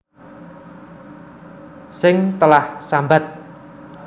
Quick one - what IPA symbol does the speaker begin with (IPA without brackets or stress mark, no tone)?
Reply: s